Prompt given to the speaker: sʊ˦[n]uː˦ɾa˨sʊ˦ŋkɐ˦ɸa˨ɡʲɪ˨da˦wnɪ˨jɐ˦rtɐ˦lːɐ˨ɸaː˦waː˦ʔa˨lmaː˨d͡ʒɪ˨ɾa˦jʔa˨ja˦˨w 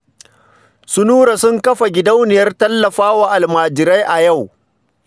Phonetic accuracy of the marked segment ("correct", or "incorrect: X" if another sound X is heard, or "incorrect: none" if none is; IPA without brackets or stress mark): correct